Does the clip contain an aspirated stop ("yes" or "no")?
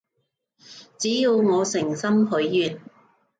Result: no